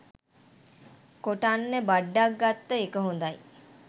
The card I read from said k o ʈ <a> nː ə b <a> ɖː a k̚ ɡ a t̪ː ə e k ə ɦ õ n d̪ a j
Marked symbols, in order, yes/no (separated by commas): yes, yes